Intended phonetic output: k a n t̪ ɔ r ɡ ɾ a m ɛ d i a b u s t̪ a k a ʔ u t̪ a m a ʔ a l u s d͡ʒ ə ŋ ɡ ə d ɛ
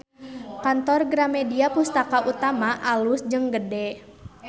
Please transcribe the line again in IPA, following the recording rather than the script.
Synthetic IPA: k a n t̪ ɔ r ɡ ɾ a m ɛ d i a p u s t̪ a k a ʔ u t̪ a m a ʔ a l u s d͡ʒ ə ŋ ɡ ə d ɛ